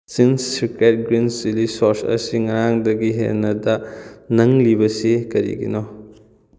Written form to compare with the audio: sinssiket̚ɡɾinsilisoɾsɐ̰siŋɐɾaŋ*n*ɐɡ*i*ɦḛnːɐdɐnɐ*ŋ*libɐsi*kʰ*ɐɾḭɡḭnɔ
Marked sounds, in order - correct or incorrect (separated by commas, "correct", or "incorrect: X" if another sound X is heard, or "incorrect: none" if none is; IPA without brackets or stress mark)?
incorrect: d, correct, correct, incorrect: k